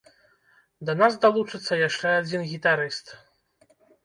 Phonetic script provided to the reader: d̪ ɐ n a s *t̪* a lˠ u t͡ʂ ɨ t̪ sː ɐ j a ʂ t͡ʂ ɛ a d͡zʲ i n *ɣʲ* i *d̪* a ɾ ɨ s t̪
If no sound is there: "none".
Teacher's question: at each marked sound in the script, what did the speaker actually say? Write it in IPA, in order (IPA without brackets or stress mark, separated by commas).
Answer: d̪, ɣʲ, t̪